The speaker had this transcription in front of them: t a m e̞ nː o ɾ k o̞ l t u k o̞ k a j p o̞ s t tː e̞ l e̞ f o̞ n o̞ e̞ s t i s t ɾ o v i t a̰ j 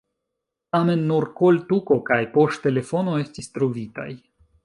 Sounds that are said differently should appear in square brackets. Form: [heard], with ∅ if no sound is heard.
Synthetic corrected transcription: t a m e̞ nː [u] ɾ k o̞ l t u k o̞ k a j p o̞ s t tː e̞ l e̞ f o̞ n o̞ e̞ s t i s t ɾ o v i t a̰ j